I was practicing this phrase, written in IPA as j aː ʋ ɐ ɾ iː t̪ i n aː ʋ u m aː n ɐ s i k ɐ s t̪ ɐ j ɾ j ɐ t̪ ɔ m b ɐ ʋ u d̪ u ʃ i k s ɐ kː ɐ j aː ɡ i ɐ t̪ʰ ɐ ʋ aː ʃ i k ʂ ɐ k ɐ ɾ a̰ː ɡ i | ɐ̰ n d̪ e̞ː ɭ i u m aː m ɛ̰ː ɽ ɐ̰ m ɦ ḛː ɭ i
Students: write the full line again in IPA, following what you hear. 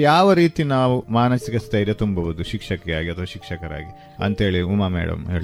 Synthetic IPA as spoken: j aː ʋ ɐ ɾ iː t̪ i n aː ʋ u m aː n ɐ s i k ɐ s t̪ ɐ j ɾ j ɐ t̪ u m b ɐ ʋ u d̪ u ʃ i k ʂ ɐ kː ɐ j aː ɡ i ɐ t̪ʰ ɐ ʋ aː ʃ i k ʂ ɐ k ɐ ɾ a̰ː ɡ i | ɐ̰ n t̪ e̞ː ɭ i u m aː m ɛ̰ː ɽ ɐ̰ m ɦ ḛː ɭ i